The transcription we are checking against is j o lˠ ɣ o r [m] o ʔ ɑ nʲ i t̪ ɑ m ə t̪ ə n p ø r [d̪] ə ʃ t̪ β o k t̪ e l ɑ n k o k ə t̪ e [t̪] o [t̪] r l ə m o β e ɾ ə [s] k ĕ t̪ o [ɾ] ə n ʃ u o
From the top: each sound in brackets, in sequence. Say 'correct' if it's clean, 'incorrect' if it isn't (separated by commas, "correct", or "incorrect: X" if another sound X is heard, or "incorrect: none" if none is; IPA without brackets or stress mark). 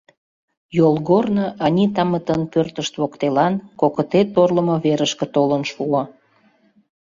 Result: incorrect: n, incorrect: t̪, correct, incorrect: none, incorrect: ʃ, incorrect: l